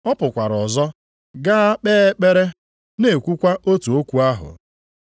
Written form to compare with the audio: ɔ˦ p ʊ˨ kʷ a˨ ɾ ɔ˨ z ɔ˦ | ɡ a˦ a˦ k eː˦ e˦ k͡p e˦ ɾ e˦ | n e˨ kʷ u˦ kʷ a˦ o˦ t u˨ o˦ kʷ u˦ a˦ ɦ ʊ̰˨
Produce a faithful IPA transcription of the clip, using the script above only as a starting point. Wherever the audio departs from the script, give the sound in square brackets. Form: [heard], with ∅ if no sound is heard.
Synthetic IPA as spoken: ɔ˦ p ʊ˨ kʷ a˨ ɾ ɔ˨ z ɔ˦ | ɡ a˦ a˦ [k͡p] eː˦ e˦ k͡p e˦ ɾ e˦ | n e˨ kʷ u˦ kʷ a˦ o˦ t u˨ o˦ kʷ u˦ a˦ ɦ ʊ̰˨

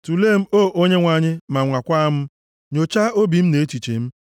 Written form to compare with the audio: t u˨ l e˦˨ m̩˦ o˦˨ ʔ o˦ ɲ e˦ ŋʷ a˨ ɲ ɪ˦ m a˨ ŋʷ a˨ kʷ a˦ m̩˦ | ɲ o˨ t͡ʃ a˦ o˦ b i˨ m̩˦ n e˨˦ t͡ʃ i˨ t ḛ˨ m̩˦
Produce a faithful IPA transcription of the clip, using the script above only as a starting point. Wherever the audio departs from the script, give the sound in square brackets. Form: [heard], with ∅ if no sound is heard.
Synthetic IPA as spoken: t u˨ l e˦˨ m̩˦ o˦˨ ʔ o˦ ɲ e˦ ŋʷ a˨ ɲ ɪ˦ m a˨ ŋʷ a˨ kʷ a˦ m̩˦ | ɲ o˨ t͡ʃ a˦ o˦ b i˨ m̩˦ n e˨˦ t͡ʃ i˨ [t͡ʃ] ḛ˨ m̩˦

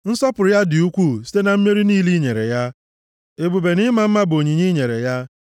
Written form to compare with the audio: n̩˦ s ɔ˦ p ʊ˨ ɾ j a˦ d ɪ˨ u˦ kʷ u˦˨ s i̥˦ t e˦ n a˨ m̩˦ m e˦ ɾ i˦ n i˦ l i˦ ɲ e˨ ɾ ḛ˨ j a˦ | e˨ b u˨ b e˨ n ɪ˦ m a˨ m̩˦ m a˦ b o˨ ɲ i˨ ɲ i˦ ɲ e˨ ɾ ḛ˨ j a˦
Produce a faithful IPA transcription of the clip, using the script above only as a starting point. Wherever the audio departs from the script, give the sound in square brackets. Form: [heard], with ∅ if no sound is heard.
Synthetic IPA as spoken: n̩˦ s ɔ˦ p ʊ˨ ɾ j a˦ d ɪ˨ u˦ kʷ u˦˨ s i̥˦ t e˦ n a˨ m̩˦ m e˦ ɾ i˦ n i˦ l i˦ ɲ e˨ ɾ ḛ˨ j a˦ | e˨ b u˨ b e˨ n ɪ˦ m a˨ m̩˦ m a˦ b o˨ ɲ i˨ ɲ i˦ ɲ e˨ ɾ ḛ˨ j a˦

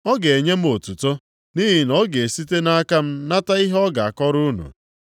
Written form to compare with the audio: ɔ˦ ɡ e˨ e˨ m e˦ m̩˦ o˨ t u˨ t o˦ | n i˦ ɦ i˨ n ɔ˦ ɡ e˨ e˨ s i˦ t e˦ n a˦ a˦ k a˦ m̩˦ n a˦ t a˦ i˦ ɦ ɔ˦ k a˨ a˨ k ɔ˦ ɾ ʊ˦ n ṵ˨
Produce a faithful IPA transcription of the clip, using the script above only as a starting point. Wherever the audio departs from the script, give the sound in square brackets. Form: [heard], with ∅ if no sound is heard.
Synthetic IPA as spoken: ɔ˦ ɡ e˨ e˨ [ɲ] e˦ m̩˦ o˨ t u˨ t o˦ | n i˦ ɦ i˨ n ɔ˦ ɡ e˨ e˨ s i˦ t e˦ n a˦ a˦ k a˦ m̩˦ n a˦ t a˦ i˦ ɦ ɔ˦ [ɡ] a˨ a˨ k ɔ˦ ɾ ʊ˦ n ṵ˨

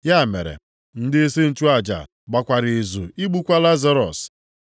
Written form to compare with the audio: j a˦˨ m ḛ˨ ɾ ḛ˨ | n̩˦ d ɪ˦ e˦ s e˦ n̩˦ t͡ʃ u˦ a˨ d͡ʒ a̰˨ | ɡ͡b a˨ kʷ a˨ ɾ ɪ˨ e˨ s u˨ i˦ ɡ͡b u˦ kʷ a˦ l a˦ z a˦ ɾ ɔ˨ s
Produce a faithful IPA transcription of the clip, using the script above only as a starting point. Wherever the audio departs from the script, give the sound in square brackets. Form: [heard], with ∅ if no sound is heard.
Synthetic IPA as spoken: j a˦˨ m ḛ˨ ɾ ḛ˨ | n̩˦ d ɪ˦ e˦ s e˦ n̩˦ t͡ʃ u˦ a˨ d͡ʒ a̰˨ | ɡ͡b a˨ kʷ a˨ ɾ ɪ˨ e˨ [z] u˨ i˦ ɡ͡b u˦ kʷ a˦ l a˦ z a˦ ɾ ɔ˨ s

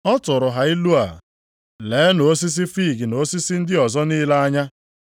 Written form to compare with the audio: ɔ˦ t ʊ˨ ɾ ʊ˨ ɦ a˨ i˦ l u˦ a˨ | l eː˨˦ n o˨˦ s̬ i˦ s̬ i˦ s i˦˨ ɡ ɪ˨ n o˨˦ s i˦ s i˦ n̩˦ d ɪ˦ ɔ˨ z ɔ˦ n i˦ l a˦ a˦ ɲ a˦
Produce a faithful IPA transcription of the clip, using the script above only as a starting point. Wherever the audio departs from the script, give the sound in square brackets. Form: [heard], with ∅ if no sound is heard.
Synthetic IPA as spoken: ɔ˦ t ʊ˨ ɾ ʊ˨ ɦ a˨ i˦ l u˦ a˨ | l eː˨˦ n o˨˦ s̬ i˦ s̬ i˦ [f] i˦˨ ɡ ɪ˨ n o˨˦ s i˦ s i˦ n̩˦ d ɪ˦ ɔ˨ z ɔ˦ n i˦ l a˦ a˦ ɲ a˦

